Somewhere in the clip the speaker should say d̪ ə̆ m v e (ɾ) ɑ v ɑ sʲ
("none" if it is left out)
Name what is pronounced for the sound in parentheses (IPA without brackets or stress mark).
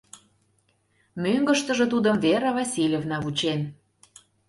ɾ